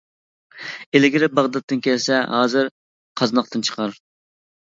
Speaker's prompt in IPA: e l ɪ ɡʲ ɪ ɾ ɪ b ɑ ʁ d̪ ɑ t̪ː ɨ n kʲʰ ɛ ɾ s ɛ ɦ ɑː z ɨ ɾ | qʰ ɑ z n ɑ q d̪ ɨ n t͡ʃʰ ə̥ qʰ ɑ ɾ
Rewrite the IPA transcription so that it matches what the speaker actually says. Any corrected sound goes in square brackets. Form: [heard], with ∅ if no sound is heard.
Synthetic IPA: e l ɪ ɡʲ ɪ ɾ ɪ b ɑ ʁ d̪ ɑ t̪ː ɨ n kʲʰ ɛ [l] s ɛ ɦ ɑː z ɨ ɾ | qʰ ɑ z n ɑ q [t̪] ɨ n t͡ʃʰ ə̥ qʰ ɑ ɾ